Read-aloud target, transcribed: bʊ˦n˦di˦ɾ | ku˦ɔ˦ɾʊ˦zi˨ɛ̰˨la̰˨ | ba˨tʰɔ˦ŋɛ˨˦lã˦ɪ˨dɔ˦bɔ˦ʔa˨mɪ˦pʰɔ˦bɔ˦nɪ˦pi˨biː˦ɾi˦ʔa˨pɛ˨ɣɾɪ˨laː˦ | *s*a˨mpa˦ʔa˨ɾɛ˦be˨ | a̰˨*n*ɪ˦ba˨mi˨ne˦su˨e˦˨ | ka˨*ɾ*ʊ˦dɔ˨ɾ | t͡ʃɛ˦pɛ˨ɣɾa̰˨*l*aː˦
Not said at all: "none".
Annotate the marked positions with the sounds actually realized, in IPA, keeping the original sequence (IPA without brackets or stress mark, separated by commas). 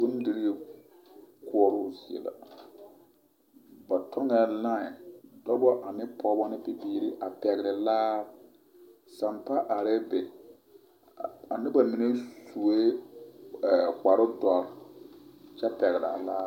s, n, ɾ, l